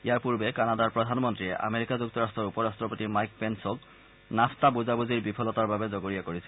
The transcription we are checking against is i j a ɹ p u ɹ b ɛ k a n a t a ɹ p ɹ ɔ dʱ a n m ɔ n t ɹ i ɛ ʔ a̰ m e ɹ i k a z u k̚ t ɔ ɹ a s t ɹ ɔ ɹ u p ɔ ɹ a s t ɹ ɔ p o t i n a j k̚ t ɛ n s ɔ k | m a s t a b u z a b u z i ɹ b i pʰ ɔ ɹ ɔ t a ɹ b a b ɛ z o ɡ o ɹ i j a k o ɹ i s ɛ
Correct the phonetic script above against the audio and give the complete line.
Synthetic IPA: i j a ɹ p u ɹ b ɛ k a n a d a ɹ p ɹ ɔ dʱ a n m ɔ n t ɹ i ɛ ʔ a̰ m e ɹ i k a z u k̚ t ɔ ɹ a s t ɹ ɔ ɹ u p ɔ ɹ a s t ɹ ɔ p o t i m a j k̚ p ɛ n s ɔ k | n a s t a b u z a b u z i ɹ b i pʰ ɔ l ɔ t a ɹ b a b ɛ z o ɡ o ɹ i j a k o ɹ i s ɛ